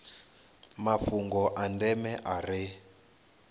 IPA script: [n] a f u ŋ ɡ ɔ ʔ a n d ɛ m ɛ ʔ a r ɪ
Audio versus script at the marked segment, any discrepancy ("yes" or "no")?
yes